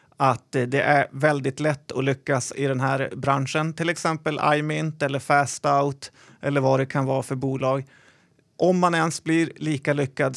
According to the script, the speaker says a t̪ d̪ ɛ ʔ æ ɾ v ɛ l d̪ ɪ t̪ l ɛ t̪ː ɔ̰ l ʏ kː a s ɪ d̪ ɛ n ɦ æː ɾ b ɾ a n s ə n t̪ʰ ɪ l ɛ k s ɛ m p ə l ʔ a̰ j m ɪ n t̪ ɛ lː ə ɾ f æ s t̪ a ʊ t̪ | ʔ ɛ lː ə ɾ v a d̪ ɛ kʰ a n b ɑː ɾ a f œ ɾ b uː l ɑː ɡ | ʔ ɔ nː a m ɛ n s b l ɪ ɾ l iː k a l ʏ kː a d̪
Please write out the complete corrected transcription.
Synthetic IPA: a t̪ d̪ ɛ ʔ æ ɾ v ɛ l d̪ ɪ t̪ l ɛ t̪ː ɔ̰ l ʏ kː a s ɪ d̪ ɛ n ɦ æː ɾ b ɾ a n ʂ ə n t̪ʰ ɪ l ɛ k s ɛ m p ə l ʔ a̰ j m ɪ n t̪ ɛ lː ə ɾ f æ s t̪ a ʊ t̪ | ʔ ɛ lː ə ɾ v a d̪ ɛ kʰ a n v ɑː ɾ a f œ ɾ b uː l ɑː ɡ | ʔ ɔ mː a n ɛ n s b l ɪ ɾ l iː k a l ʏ kː a d̪